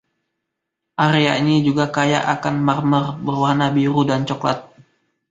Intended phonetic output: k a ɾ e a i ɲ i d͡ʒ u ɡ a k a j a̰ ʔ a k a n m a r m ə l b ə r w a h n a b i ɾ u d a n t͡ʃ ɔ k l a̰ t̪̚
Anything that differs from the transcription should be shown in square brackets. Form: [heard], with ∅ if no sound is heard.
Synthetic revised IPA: [ʔ] a ɾ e a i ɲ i d͡ʒ u ɡ a k a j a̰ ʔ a k a n m a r m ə [r] b ə r w a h n a b i ɾ u d a n t͡ʃ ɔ k l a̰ t̪̚